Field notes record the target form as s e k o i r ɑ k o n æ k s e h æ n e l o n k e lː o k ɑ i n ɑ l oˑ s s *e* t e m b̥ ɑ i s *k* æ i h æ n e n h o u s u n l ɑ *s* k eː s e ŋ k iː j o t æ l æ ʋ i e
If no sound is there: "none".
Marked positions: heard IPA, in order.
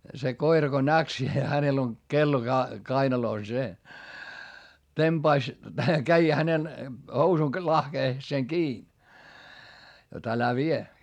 e, k, h

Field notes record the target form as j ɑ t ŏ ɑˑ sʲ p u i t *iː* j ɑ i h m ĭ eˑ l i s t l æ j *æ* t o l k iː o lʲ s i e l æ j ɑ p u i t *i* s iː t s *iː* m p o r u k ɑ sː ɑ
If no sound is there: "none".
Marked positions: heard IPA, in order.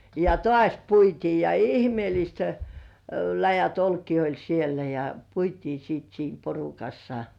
iː, æ, iː, iː

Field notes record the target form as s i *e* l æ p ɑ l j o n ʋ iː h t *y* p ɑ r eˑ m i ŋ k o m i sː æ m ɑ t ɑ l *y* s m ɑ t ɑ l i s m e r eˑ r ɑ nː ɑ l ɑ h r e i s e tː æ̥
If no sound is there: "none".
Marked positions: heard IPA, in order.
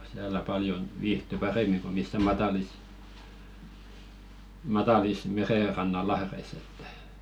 æ, y, i

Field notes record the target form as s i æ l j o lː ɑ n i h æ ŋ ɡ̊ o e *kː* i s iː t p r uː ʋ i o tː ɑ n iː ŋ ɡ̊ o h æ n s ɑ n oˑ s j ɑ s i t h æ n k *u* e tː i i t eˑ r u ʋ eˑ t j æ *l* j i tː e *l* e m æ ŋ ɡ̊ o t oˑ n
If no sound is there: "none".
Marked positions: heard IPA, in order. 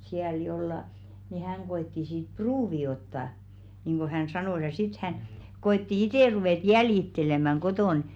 tː, o, l, l

